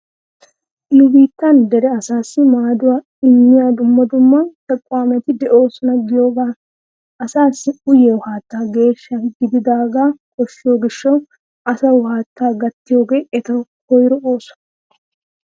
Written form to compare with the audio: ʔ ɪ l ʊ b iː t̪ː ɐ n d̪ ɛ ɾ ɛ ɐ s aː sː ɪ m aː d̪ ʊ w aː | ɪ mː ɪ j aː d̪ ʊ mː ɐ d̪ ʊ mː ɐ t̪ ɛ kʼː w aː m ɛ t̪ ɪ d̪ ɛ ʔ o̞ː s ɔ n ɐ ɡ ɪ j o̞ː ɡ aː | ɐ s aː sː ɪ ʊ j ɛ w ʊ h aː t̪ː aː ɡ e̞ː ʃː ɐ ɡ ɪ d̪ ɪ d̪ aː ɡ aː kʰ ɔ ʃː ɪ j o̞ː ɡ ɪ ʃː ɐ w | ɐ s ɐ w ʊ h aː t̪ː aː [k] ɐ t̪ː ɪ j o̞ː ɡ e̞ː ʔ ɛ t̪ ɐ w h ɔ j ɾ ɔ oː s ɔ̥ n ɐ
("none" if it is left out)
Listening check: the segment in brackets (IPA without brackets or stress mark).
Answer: ɡ